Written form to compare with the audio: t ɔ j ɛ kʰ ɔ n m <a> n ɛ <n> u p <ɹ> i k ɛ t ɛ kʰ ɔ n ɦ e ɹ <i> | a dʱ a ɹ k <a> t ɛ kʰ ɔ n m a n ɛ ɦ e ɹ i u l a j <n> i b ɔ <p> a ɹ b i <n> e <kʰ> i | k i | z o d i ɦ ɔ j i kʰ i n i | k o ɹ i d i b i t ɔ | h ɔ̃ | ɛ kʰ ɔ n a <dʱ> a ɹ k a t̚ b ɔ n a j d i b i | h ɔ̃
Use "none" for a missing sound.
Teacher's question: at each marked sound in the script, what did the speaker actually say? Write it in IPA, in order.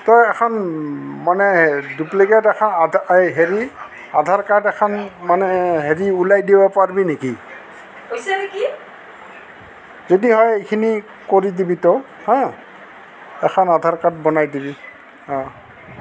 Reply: a, d, l, i, a, d, p, n, k, dʱ

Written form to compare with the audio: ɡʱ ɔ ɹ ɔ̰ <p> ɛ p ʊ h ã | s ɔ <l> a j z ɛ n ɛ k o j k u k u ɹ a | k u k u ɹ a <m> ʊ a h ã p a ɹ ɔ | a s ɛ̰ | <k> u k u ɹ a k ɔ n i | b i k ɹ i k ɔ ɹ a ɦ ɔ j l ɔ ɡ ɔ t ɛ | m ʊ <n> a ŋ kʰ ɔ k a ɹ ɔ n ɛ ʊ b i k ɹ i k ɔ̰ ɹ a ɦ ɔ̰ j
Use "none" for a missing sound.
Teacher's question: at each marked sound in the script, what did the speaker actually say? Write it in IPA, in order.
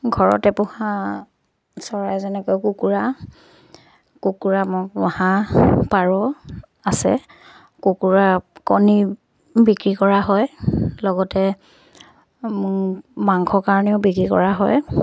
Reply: t, ɹ, m, k, m

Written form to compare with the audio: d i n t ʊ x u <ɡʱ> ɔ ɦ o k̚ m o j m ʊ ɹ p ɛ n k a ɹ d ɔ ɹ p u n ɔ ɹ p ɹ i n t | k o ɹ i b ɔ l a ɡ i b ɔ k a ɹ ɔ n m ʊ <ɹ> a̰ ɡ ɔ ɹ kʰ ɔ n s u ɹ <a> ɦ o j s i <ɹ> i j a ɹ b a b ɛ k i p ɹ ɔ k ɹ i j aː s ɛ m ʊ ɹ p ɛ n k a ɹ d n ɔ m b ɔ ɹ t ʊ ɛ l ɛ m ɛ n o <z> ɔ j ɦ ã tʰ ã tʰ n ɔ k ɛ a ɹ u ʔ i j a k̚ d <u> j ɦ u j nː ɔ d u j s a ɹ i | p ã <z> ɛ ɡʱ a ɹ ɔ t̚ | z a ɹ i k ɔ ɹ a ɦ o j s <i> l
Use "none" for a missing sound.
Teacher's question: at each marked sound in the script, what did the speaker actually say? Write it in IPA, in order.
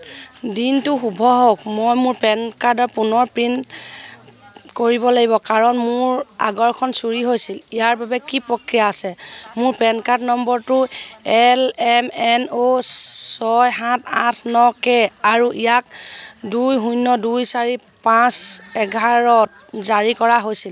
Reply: bʱ, ɹ, i, l, s, u, s, i

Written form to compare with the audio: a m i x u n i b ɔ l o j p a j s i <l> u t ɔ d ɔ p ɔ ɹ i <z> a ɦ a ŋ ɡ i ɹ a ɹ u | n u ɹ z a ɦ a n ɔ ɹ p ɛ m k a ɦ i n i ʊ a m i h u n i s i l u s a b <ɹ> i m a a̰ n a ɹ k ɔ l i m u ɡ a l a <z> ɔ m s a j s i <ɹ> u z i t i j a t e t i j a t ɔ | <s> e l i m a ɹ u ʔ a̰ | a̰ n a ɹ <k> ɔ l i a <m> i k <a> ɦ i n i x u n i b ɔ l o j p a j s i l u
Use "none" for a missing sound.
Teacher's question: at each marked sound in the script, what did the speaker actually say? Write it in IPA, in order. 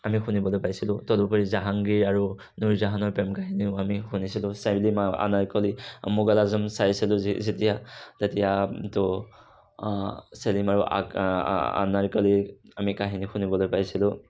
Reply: l, z, l, z, l, s, k, m, a

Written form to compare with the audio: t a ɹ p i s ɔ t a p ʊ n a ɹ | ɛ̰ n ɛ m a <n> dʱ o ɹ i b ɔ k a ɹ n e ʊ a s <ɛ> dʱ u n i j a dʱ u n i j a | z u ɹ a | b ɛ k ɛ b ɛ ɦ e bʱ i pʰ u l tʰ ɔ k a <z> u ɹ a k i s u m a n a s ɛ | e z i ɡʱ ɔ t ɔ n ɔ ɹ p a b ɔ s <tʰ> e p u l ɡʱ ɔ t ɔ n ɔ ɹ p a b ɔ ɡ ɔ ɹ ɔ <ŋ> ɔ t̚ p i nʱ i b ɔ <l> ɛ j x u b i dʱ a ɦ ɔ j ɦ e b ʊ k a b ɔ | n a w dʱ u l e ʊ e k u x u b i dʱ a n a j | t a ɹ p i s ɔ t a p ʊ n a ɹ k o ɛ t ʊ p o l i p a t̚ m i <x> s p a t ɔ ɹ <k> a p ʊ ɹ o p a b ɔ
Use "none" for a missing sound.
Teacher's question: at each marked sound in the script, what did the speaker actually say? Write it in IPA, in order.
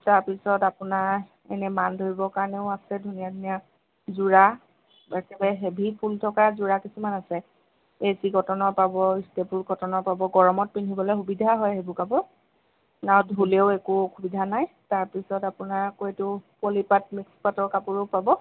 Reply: n, ɛ, z, t, m, l, k, k

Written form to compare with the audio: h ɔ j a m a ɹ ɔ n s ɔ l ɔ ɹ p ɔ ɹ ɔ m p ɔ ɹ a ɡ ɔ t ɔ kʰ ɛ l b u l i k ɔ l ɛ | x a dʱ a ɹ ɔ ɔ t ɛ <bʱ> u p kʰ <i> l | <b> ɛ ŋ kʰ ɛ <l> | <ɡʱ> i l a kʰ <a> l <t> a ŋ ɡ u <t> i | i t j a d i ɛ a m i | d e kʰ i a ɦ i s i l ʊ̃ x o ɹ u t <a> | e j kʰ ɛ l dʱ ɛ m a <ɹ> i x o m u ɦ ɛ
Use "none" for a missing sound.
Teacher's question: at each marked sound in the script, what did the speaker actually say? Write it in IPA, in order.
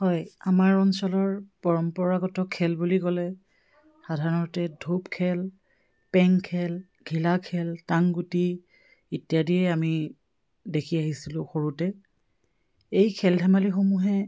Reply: dʱ, ɛ, p, l, ɡʱ, ɛ, t, t, ɛ, l

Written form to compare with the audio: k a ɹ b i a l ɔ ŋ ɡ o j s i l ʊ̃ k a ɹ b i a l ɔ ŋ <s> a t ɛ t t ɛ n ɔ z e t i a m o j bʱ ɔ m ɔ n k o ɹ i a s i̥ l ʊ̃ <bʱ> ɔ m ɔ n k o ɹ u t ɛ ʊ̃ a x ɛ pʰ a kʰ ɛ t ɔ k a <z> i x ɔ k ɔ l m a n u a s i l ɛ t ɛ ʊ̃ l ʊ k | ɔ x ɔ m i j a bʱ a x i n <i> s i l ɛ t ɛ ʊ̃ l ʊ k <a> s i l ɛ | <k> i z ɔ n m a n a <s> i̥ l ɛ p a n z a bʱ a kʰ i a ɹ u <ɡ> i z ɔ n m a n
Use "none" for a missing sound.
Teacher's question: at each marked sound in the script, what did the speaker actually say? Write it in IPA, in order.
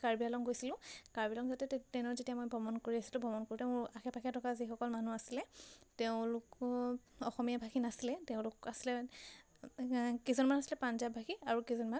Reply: z, bʱ, z, a, a, k, s, k

